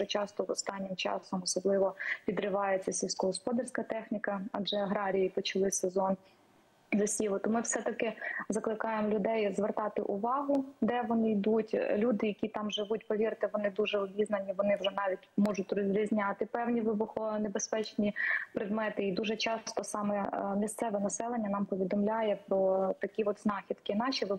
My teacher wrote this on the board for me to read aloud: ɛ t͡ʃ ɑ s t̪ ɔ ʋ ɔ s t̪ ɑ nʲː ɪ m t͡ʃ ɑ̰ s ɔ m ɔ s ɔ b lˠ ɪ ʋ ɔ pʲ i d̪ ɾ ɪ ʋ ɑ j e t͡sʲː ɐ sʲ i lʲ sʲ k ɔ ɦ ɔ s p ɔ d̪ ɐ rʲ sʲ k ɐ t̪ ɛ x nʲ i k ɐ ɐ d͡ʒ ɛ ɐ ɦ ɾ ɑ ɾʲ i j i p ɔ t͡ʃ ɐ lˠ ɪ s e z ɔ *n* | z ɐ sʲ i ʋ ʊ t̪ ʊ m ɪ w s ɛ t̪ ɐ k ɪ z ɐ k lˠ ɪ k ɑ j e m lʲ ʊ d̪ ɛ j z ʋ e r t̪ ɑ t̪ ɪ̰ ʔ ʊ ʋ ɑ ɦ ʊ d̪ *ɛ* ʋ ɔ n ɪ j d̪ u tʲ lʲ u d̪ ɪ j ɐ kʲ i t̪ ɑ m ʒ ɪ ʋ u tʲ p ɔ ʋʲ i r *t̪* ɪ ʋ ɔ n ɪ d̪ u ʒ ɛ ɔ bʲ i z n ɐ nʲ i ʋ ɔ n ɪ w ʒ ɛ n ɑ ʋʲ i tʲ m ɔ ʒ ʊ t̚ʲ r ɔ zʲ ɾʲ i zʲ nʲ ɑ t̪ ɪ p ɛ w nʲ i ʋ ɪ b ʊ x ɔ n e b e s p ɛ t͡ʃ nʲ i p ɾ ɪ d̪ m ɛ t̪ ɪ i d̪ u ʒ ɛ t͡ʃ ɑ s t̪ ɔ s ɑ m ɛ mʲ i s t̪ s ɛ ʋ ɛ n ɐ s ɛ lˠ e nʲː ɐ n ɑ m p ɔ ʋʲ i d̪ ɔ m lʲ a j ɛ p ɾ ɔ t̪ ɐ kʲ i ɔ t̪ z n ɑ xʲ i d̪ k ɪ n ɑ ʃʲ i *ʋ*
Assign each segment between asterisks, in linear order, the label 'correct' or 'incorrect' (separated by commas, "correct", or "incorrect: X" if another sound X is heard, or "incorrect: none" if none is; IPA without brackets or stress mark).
correct, correct, correct, correct